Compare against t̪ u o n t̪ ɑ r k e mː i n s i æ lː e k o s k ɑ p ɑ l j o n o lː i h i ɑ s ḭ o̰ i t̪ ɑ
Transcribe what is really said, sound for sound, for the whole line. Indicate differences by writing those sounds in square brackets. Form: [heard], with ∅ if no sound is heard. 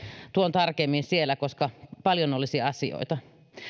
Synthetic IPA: t̪ u o n t̪ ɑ r k e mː i n s i [e] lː [æ] k o s k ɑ p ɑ l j o n o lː i [s] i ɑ s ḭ o̰ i t̪ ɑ

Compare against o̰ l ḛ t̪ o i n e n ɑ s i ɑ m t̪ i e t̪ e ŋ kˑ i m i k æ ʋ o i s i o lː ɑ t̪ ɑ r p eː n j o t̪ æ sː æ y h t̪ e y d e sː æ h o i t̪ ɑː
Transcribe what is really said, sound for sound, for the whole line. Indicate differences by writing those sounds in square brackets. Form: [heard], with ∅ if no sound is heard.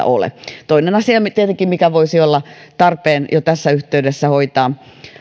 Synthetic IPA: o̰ l ḛ t̪ o i n e n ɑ s i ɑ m t̪ i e t̪ e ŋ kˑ i m i k æ ʋ o i s i o lː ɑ t̪ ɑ r p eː n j o t̪ æ sː æ y h t̪ e y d e sː æ h o i t̪ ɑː

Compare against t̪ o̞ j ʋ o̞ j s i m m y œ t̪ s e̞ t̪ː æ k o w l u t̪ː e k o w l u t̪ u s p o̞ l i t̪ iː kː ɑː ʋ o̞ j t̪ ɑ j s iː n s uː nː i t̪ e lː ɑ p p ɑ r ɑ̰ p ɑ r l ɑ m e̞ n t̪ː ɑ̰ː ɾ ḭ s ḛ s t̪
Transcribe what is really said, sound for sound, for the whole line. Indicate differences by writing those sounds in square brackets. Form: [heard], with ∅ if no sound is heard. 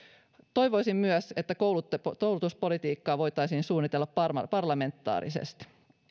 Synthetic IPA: t̪ o̞ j ʋ o̞ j s i m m y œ [∅] s e̞ t̪ː æ k o w l u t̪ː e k o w l u t̪ u s p o̞ l i t̪ iː kː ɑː ʋ o̞ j t̪ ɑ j s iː n s uː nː i t̪ e lː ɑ p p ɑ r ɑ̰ p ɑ r l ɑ m e̞ n t̪ː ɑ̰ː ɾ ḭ s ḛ s t̪

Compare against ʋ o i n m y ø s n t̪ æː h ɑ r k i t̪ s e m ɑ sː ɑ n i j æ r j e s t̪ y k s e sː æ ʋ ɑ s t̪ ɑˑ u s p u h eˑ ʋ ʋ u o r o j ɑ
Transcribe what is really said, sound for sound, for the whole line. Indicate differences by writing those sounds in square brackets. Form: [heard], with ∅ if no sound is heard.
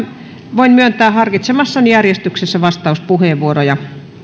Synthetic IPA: ʋ o i n m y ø [∅] n t̪ æː h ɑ r k i t̪ s e m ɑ sː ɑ n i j æ r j e s t̪ y k s e sː æ ʋ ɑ s t̪ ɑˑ u s p u h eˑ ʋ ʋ u o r o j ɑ

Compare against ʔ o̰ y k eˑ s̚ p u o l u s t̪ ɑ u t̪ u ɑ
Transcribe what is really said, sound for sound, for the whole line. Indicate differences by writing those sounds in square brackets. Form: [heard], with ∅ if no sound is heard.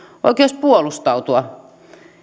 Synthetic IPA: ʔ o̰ [i] k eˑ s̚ p u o l u s t̪ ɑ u t̪ u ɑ

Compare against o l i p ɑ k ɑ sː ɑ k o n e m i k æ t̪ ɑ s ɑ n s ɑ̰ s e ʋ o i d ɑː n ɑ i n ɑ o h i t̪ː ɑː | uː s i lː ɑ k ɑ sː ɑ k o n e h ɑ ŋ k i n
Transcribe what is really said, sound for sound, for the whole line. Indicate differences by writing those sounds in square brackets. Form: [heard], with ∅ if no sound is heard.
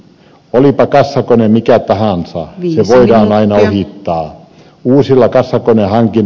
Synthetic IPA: o l i p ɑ k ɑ sː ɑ k o n e m i k æ t̪ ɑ [h] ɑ n s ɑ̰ s e ʋ o i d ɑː n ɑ i n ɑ o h i t̪ː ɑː | uː s i lː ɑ k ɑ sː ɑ k o n e h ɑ ŋ k i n

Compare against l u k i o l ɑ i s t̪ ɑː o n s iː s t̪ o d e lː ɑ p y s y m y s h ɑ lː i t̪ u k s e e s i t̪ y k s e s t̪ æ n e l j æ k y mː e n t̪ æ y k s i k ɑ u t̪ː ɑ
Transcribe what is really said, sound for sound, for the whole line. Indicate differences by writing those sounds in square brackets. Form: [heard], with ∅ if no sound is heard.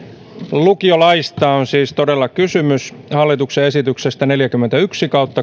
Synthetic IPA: l u k i o l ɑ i s t̪ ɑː o n s iː s t̪ o d e lː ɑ [k] y s y m y s h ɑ lː i t̪ u k s e e s i t̪ y k s e s t̪ æ n e l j æ k y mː e n t̪ æ y k s i k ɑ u t̪ː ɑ

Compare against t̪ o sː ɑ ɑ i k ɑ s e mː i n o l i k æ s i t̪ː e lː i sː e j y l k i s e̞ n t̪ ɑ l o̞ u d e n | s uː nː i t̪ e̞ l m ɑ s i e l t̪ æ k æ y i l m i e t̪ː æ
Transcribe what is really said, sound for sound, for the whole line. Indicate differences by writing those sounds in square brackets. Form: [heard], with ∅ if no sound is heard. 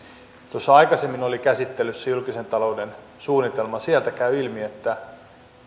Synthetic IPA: t̪ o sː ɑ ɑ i k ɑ s e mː i n o l i k æ s i t̪ː e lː [y] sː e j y l k i s e̞ n t̪ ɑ l o̞ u d e n | s uː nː i t̪ e̞ l m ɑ s i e l t̪ æ k æ y i l m i e t̪ː æ

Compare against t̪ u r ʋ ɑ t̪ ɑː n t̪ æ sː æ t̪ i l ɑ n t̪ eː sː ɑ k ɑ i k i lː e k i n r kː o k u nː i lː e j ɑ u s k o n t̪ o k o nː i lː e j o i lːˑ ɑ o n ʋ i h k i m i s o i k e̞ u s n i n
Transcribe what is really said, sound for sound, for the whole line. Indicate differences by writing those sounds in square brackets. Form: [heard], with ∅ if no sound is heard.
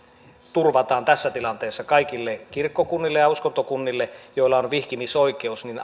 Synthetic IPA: t̪ u r ʋ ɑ t̪ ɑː n t̪ æ sː æ t̪ i l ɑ n t̪ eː sː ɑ k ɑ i k i lː e k i [∅] r kː o k u nː i lː e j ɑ u s k o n t̪ o k [u] nː i lː e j o i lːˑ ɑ o n ʋ i h k i m i s o i k e̞ u s n i n

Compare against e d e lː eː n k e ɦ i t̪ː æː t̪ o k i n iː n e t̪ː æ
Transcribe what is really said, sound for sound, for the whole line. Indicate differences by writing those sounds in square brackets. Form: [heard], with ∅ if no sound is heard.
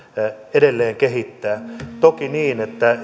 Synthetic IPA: e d e lː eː [ŋ] k e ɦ i t̪ː æː t̪ o k i n iː n e t̪ː æ

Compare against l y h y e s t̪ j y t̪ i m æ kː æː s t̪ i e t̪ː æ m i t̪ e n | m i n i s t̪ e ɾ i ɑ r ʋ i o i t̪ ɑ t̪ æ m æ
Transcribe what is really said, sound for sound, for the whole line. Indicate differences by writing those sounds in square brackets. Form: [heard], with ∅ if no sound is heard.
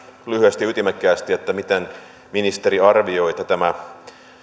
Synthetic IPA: l y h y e s t̪ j y t̪ i m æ kː æː s t̪ i e t̪ː æ m i t̪ e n | m i n i s t̪ e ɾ i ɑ r ʋ i o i t̪ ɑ t̪ æ m æ

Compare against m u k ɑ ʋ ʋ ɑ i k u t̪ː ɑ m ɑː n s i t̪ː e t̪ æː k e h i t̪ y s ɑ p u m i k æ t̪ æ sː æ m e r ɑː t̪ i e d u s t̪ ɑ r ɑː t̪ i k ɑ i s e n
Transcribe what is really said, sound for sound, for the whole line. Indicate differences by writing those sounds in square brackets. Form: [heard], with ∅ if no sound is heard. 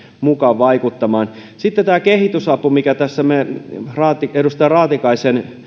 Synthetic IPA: m u k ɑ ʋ ʋ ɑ i k u t̪ː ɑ m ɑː n s i t̪ː e t̪ æː k e h i t̪ y s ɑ p u m i k æ t̪ æ sː æ m e r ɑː t̪ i e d u s t̪ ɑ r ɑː t̪ i k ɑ i s e n

